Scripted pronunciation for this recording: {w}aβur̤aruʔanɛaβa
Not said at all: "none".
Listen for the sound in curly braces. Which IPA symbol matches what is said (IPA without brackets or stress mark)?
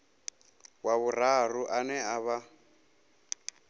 w